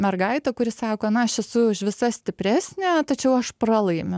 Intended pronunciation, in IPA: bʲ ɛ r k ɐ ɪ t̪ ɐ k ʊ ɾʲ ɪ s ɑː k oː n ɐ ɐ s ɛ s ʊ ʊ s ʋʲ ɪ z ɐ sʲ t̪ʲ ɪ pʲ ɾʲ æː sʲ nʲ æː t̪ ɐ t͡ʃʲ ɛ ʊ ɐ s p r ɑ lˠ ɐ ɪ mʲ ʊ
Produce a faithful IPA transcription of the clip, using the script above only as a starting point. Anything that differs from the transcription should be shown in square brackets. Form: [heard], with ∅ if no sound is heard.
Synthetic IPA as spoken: [mʲ] ɛ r [ɡ] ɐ ɪ t̪ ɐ k ʊ ɾʲ ɪ s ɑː k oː n ɐ ɐ [ʃ] ɛ s ʊ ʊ [ʃ] ʋʲ ɪ [s] ɐ sʲ t̪ʲ ɪ pʲ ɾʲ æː sʲ nʲ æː t̪ ɐ t͡ʃʲ ɛ ʊ ɐ [ʃ] p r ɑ lˠ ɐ ɪ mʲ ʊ